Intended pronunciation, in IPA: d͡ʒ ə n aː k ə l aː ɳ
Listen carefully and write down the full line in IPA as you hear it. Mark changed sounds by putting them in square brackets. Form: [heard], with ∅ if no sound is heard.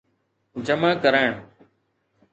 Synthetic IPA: d͡ʒ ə [m] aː k ə [ɾ] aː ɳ